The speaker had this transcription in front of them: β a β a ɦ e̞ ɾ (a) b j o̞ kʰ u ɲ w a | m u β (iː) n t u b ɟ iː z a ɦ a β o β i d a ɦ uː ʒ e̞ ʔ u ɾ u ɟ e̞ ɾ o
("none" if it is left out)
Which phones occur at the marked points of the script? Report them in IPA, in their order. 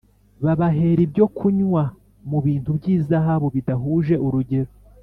i, iː

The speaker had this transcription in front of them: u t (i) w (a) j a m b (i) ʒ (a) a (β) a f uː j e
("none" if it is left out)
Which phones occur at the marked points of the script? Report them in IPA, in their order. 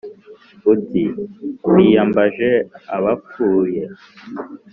i, i, a, e, β

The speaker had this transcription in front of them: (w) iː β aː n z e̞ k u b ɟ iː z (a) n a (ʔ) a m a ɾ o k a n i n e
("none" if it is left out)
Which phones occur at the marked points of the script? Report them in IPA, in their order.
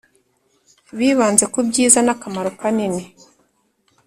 β, a, k

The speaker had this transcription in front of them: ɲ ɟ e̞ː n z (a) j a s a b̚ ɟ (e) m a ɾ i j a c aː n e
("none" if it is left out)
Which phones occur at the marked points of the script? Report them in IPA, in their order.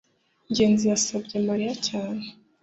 i, e

